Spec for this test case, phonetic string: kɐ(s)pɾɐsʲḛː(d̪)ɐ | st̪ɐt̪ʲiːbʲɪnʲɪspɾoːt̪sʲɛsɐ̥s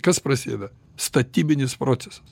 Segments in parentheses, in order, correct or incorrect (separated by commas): correct, correct